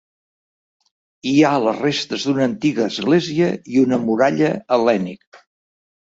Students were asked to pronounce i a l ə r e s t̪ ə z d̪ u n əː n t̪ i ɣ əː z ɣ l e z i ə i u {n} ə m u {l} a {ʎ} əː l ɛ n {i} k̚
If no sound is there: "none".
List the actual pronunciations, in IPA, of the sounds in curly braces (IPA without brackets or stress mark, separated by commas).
n, ɾ, ʎ, i